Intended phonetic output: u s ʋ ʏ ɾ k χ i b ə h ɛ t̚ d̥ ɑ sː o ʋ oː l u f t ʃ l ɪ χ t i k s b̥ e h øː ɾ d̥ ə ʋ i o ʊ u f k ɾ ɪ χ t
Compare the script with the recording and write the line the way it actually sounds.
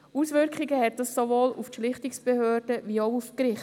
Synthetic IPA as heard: u s ʋ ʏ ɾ k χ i ɡ ə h ɛ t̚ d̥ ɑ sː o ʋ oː l u f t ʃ l ɪ χ t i k s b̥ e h øː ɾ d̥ ə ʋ i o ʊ u f k ɾ ɪ χ t